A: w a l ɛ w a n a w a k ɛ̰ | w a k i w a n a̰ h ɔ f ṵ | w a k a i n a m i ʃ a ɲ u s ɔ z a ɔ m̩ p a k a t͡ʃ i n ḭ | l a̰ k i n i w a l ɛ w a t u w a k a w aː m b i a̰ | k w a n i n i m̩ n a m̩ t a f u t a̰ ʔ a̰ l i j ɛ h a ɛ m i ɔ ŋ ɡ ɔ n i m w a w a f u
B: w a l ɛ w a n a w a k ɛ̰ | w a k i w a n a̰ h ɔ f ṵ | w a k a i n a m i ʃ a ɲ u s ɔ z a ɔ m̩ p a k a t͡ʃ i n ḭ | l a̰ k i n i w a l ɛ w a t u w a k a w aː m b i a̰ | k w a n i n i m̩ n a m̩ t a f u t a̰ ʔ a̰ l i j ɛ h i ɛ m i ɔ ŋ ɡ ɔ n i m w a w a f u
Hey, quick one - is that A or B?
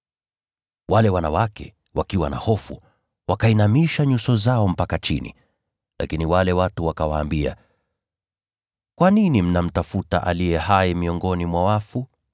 A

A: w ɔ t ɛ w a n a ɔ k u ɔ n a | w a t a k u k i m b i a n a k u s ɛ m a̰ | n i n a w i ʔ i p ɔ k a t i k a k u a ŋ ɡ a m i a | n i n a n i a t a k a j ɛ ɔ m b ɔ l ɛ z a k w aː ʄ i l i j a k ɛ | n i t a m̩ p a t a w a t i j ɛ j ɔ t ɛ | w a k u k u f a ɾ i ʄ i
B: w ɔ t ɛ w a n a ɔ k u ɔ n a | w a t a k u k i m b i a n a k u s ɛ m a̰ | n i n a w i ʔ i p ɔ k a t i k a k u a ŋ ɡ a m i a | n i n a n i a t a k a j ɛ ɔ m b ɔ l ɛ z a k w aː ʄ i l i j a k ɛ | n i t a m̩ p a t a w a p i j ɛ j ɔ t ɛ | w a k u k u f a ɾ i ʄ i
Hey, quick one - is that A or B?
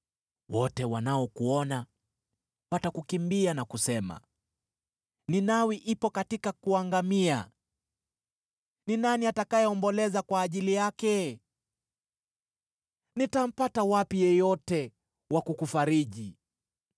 B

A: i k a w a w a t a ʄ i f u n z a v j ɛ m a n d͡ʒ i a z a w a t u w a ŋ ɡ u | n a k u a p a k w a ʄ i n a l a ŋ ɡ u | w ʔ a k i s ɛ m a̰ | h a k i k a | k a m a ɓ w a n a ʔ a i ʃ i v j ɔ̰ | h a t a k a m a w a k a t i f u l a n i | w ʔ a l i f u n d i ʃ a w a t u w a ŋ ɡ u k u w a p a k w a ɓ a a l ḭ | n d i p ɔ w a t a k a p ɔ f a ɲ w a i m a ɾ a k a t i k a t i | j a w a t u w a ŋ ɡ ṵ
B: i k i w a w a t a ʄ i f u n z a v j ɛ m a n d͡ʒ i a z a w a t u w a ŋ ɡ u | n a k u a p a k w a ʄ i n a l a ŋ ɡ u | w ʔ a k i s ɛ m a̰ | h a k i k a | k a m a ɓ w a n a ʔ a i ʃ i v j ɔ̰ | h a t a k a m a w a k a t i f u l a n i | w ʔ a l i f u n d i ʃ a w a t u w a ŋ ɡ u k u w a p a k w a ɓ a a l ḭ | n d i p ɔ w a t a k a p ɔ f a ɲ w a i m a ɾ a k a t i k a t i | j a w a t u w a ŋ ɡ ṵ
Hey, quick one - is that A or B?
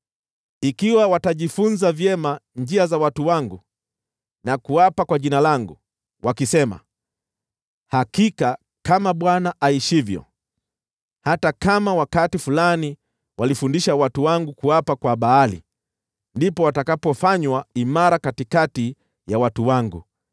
B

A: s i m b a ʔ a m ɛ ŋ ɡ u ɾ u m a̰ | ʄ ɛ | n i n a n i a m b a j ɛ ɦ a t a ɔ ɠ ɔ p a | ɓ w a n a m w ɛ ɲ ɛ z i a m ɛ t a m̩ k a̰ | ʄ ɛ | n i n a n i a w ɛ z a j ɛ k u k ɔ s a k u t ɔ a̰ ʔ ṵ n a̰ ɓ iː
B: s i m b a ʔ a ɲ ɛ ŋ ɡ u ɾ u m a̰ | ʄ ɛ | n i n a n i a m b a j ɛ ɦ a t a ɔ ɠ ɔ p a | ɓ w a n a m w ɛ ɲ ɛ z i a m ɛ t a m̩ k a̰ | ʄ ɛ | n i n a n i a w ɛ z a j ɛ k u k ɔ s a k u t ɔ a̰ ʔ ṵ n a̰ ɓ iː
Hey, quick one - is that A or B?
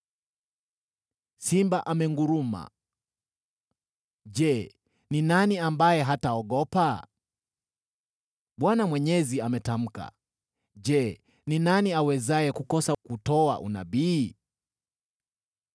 A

